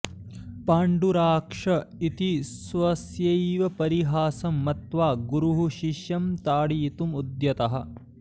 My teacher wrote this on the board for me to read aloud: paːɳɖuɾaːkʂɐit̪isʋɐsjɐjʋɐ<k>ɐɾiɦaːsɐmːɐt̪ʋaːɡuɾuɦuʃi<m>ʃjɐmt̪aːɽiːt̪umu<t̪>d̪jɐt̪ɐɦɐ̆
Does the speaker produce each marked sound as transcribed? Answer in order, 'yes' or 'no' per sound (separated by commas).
no, no, no